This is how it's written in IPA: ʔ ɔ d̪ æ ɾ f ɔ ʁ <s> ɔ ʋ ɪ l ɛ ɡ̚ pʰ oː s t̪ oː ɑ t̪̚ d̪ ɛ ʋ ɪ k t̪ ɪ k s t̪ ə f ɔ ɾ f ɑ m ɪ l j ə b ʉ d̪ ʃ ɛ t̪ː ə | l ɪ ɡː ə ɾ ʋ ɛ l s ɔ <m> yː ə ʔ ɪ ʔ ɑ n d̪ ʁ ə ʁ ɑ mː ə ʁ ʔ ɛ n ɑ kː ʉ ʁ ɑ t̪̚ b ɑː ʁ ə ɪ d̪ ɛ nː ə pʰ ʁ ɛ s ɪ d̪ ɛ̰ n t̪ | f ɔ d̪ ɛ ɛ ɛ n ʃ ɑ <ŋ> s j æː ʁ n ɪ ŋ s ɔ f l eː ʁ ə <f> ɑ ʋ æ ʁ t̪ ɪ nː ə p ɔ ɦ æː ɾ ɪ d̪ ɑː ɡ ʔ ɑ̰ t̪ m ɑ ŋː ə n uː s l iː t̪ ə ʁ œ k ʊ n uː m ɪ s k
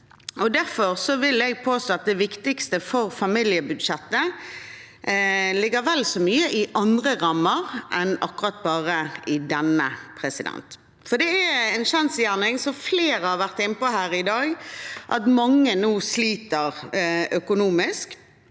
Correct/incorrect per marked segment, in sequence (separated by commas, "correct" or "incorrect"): correct, correct, incorrect, incorrect